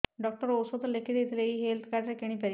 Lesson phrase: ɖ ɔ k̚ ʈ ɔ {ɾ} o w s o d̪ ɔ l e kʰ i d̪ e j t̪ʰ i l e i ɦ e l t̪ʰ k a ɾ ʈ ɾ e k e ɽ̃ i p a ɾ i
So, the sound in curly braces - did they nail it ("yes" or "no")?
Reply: yes